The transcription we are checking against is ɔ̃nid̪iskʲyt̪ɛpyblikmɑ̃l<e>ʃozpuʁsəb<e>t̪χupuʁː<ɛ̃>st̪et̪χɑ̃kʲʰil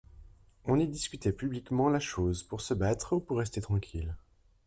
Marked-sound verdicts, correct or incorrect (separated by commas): incorrect, incorrect, incorrect